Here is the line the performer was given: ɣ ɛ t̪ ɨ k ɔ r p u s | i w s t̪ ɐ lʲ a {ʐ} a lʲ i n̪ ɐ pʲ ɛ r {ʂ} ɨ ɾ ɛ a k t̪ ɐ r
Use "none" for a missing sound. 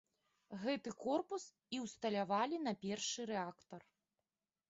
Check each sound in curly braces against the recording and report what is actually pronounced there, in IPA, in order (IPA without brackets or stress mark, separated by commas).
v, ʂ